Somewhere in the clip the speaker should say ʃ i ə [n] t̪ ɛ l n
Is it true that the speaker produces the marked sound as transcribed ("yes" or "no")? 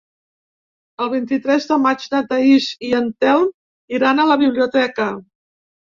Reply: yes